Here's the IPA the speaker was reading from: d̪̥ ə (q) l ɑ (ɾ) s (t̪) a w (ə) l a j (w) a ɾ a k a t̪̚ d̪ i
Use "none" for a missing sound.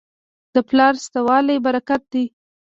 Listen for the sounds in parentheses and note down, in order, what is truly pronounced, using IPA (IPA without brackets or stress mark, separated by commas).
p, ɾ, t̪, ɑ, b